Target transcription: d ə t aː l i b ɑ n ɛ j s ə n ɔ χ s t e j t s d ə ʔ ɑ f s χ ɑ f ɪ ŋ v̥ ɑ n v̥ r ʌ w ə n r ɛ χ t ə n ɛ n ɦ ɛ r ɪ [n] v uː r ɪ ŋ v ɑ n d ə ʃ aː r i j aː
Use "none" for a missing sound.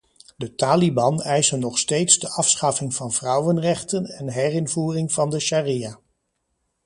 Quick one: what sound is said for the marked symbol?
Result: n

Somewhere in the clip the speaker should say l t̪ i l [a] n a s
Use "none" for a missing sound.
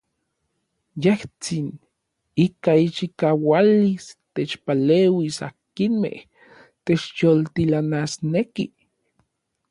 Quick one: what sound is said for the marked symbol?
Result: a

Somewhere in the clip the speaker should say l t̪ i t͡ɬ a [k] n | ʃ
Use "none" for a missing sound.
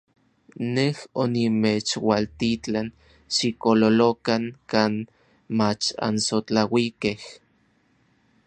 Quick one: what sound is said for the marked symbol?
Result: none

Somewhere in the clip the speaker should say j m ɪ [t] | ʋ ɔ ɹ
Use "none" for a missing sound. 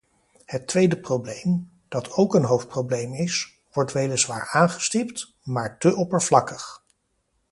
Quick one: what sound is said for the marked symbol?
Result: s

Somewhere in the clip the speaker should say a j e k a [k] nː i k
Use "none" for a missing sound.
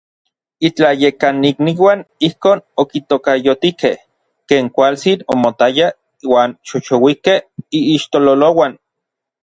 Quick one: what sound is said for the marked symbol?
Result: none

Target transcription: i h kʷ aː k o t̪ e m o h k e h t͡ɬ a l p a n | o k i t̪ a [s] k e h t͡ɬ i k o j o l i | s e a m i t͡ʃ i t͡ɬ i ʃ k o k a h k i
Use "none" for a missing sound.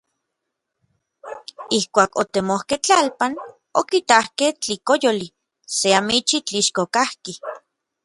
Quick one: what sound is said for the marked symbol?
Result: h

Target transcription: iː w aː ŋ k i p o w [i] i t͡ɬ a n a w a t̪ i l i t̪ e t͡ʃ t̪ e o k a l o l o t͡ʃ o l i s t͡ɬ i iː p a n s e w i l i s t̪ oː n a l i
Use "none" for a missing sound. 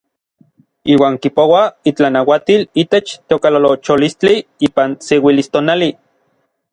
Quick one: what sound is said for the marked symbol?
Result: a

